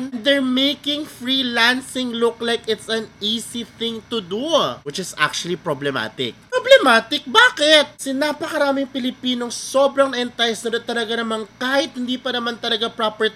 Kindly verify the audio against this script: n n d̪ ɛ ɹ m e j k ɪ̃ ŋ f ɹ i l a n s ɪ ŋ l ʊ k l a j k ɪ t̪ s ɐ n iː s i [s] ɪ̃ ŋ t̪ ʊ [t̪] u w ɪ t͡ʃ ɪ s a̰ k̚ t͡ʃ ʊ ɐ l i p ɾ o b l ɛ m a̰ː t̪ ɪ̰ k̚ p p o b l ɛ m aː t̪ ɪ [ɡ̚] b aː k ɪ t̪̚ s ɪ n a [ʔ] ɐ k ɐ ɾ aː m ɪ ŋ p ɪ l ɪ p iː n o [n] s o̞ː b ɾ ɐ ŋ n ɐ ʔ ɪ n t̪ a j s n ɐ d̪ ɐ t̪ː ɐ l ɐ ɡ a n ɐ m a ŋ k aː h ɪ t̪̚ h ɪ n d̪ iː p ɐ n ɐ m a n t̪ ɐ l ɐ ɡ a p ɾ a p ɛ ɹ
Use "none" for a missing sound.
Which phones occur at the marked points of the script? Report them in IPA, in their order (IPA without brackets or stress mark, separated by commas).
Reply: θ, d̪, k̚, p, ŋ